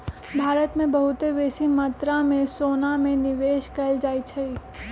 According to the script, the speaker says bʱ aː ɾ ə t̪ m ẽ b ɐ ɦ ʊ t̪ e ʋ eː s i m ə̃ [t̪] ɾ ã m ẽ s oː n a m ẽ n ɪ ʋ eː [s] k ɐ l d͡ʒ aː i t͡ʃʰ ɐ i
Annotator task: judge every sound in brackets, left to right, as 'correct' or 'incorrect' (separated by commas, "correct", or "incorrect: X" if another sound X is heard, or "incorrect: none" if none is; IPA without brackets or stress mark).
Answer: correct, incorrect: ʃ